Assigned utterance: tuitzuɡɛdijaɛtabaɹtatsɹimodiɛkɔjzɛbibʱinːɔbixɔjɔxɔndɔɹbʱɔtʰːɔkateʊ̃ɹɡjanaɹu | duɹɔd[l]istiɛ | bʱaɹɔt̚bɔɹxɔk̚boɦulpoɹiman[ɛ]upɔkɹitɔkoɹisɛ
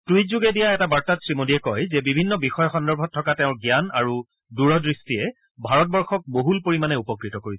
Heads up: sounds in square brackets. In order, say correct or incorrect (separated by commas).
incorrect, correct